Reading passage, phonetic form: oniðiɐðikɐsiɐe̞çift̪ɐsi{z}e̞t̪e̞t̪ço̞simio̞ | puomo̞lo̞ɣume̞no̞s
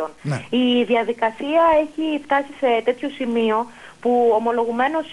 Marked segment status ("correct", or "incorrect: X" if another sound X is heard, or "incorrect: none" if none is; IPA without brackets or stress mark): incorrect: s